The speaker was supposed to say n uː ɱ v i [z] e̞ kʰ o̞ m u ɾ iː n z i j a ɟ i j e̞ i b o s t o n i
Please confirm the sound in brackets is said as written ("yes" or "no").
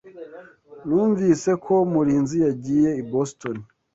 no